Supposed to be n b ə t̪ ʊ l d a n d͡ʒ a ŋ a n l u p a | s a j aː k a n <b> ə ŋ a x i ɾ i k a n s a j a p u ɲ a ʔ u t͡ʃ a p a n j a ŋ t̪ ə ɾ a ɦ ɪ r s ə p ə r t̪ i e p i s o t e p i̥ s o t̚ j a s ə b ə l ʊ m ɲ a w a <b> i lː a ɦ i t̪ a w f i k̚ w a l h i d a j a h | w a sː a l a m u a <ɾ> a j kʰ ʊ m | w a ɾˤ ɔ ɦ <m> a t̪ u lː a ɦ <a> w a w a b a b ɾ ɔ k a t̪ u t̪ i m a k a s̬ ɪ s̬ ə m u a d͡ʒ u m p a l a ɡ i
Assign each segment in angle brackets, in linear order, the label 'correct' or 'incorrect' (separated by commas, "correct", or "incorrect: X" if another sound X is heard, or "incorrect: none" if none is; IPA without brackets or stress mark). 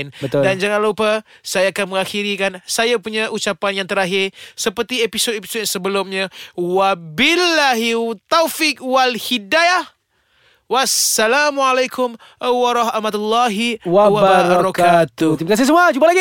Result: incorrect: m, correct, incorrect: l, correct, incorrect: i